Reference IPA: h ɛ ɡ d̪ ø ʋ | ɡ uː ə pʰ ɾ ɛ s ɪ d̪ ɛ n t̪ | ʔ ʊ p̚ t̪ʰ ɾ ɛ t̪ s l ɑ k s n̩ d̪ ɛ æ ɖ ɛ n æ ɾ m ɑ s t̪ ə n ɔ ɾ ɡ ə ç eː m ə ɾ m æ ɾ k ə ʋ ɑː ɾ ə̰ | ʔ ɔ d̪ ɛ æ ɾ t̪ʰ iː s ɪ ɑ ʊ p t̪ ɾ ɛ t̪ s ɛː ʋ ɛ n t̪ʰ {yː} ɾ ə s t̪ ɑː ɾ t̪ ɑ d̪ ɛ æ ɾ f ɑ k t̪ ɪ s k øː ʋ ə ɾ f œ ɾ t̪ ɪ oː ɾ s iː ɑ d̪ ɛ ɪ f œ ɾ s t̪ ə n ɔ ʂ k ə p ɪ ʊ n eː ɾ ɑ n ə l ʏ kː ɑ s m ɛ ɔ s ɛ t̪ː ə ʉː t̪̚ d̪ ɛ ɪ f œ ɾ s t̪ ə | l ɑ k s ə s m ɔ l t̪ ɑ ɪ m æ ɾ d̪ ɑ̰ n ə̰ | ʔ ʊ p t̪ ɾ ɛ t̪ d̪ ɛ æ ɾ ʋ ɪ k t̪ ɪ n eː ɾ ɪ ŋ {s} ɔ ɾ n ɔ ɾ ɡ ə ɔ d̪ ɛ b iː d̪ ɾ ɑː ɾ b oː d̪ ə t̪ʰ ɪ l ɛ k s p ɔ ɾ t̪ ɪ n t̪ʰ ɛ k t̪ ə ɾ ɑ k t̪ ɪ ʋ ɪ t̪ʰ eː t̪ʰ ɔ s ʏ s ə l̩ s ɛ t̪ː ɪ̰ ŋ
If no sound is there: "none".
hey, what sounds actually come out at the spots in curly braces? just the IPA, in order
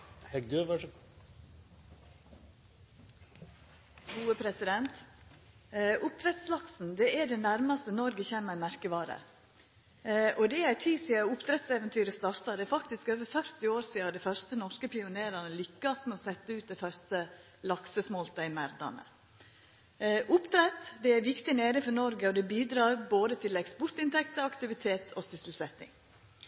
yː, f

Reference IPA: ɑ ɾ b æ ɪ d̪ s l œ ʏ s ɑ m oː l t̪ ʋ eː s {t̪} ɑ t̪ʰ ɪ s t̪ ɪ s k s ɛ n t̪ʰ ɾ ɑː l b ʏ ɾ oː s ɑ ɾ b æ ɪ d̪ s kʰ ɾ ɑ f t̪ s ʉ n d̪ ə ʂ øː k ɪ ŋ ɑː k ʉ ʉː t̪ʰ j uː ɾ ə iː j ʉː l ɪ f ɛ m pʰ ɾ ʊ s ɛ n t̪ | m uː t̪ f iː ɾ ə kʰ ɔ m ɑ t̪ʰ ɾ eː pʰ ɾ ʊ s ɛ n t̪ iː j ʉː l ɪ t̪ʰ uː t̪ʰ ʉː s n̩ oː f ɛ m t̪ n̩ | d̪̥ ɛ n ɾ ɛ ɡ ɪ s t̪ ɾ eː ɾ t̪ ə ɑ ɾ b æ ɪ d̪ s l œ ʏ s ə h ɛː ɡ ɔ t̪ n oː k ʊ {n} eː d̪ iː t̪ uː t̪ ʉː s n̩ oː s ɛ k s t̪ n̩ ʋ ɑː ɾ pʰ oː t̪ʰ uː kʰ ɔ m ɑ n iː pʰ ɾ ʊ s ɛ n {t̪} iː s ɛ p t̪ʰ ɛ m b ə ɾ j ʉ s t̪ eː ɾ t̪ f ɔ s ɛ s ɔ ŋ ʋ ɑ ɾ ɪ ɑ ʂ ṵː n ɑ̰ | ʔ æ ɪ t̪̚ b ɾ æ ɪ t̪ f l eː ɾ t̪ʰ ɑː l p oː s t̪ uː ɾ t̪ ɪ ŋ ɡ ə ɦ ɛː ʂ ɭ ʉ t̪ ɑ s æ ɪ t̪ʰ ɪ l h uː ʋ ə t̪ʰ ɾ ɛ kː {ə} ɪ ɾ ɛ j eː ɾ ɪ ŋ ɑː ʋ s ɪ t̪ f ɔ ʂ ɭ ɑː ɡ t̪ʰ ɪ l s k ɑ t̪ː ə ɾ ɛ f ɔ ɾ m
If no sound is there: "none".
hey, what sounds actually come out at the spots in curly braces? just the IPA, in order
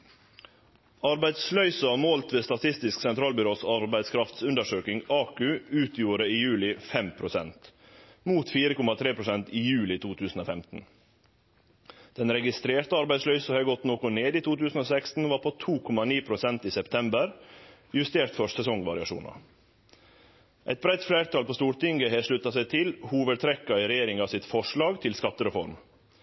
t̪, n, t̪, ɑ

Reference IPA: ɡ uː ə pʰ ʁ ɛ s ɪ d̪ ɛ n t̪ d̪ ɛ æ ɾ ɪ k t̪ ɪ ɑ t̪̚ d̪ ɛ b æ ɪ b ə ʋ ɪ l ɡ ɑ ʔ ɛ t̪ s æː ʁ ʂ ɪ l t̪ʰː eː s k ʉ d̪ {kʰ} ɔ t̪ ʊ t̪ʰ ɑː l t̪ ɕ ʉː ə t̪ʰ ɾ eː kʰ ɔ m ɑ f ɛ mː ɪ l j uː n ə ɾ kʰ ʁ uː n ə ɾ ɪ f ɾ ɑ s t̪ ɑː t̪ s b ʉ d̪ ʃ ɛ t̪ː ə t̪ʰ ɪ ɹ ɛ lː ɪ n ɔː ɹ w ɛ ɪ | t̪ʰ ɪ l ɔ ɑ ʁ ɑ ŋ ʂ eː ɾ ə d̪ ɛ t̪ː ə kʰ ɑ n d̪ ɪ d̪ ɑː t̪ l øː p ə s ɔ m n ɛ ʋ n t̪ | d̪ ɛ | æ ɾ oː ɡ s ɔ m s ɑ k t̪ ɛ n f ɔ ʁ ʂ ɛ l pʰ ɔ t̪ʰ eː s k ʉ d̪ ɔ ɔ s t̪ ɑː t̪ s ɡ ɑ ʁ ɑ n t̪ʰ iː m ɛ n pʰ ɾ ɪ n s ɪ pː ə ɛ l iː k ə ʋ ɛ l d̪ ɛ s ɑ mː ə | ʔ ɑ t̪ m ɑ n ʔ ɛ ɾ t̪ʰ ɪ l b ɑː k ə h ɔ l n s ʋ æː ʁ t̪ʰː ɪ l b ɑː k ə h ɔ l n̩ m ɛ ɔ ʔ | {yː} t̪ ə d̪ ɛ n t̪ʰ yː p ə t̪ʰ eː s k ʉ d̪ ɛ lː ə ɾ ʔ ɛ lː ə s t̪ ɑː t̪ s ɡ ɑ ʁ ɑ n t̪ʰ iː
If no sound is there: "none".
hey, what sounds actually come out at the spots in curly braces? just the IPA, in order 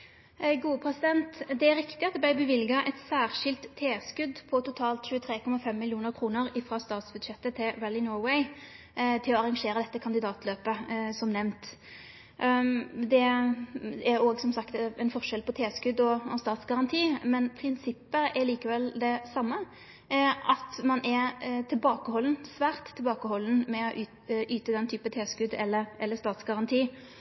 pʰ, yː

